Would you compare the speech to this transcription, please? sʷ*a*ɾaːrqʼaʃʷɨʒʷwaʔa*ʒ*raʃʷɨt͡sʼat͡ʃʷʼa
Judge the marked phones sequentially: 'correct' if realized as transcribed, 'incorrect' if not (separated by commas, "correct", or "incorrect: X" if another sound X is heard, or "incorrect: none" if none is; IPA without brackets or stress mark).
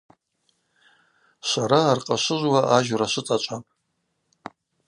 correct, correct